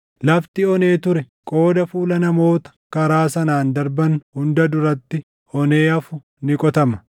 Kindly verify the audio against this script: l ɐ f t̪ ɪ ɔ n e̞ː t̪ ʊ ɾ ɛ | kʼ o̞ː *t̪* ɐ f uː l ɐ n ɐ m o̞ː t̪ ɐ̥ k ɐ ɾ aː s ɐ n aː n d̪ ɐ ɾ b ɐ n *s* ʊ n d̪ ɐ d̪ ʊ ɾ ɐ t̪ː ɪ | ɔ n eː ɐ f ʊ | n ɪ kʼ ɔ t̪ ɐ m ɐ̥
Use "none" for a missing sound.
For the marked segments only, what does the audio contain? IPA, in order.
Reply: d̪, h

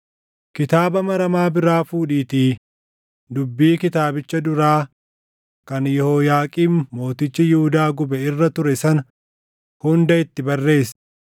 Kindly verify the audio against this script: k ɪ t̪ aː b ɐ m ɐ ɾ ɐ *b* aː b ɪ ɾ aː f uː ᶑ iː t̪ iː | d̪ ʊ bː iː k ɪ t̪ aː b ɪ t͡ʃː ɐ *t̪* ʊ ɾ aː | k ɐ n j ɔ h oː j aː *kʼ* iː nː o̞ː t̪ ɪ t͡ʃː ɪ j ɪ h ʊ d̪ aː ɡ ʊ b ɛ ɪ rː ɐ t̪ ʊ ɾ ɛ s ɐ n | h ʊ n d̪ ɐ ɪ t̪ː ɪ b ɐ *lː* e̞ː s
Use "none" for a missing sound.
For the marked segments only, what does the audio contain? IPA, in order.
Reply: m, d̪, kʼ, rː

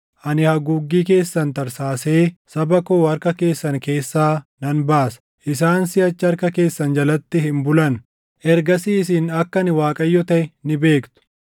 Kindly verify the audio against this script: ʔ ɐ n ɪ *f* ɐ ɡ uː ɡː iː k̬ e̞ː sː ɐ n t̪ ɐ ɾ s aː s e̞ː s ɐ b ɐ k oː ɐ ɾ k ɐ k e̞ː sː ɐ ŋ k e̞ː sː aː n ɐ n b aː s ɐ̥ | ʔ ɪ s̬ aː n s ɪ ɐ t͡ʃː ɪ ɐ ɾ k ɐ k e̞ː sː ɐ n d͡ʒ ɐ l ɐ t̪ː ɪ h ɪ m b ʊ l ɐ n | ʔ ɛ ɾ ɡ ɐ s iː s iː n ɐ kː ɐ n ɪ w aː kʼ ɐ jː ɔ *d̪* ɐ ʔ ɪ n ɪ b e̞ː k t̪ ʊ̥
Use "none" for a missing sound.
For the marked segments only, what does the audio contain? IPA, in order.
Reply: h, t̪

